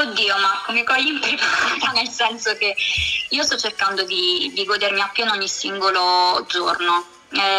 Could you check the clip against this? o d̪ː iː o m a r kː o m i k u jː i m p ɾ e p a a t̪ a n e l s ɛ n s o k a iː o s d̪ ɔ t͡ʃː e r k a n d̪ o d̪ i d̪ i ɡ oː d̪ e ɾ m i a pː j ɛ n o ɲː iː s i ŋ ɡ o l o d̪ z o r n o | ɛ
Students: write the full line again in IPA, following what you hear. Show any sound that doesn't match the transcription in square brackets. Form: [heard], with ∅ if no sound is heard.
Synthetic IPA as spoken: o d̪ː iː o m a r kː o m i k [ɔ] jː i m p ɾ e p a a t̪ a n e l s ɛ n s o k [e] iː o s [t̪] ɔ t͡ʃː e r k a n d̪ o d̪ i d̪ i ɡ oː d̪ e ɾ m i a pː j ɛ n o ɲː [i] s i ŋ ɡ o l o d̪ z o r n o | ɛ